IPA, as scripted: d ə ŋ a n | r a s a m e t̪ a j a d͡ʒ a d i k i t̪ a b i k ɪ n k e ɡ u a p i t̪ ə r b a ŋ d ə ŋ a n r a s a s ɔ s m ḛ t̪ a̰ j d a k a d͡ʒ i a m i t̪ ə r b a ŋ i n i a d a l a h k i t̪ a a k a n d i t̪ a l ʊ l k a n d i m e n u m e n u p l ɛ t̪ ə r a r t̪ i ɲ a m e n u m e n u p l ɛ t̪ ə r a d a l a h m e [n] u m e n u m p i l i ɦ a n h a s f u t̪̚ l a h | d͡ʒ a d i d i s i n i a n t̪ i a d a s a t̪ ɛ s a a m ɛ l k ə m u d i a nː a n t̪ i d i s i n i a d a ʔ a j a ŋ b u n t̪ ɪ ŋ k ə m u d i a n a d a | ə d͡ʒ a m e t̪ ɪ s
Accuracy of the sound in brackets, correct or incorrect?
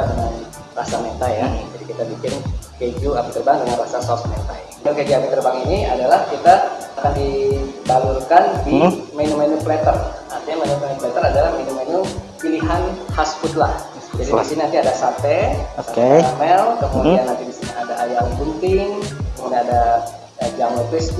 correct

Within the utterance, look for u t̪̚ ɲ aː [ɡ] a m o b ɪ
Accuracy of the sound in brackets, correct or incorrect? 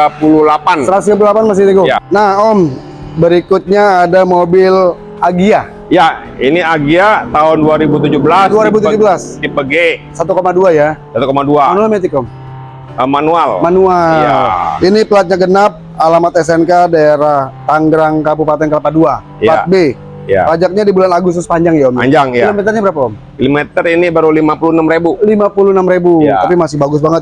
incorrect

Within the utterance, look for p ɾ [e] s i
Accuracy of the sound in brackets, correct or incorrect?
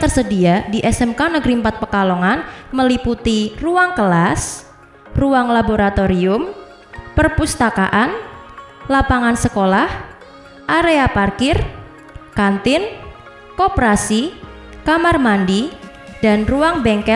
incorrect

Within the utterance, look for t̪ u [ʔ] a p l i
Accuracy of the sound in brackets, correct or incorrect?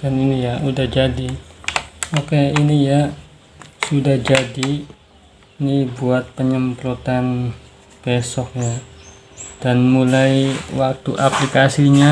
correct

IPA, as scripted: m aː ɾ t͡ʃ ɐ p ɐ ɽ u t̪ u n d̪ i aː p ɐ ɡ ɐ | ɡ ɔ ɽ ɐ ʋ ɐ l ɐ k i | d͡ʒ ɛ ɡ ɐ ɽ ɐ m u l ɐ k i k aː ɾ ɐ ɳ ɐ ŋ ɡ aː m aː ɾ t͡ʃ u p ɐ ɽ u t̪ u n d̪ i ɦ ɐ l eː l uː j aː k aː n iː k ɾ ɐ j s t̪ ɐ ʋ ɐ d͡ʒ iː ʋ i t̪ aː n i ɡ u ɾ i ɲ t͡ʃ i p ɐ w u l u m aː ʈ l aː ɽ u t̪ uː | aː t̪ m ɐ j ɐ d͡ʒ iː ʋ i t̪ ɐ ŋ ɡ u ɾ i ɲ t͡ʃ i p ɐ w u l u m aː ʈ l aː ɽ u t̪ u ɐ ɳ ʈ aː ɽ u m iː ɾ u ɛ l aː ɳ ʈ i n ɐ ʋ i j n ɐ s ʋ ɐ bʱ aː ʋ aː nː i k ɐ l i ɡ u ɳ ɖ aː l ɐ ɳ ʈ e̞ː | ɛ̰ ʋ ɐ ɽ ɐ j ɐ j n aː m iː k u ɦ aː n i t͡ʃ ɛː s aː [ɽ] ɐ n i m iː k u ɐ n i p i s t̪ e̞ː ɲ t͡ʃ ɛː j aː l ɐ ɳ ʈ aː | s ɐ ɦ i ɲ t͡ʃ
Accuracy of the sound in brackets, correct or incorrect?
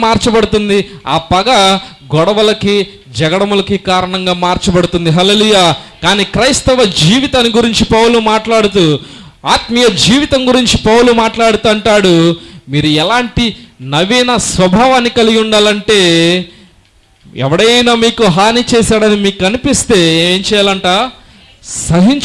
correct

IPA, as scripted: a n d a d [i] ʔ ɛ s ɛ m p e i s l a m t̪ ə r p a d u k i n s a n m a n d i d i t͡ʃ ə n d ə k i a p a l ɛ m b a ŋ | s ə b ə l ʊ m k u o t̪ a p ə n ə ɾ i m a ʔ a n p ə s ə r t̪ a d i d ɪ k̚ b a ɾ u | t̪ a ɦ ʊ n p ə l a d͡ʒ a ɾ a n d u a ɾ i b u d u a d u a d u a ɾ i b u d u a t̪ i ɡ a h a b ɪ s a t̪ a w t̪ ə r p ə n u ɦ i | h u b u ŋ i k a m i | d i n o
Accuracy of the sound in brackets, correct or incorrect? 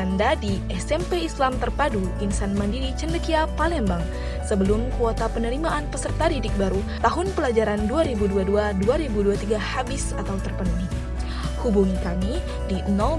correct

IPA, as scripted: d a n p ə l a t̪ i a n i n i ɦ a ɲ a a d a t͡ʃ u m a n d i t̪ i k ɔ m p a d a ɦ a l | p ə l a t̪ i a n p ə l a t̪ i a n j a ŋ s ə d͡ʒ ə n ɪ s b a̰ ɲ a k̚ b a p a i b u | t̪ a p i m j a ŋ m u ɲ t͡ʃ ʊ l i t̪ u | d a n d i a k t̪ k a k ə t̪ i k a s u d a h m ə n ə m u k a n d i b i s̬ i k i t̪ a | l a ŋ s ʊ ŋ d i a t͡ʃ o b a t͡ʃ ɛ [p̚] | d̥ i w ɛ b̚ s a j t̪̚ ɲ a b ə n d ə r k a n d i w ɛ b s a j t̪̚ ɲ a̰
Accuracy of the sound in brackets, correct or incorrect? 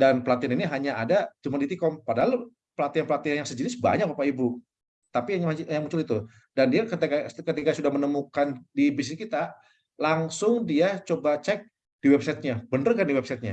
incorrect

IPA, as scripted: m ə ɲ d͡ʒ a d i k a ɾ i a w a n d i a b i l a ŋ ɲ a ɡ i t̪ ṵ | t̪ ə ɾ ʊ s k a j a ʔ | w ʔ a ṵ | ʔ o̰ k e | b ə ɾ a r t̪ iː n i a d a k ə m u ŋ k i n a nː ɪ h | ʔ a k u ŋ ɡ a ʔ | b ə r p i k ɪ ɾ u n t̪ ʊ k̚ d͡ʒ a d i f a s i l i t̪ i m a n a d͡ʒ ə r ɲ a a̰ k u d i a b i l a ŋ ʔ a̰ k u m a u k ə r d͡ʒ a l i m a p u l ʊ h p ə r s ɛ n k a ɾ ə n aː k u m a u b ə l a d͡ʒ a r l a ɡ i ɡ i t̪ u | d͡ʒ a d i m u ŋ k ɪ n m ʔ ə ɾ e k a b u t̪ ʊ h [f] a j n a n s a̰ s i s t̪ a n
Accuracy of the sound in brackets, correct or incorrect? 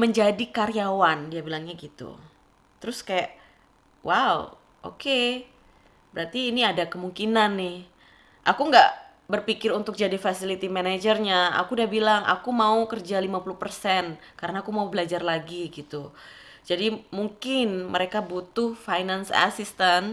correct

